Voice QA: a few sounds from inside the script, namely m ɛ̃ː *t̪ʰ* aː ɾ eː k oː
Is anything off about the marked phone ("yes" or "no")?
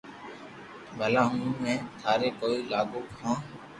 no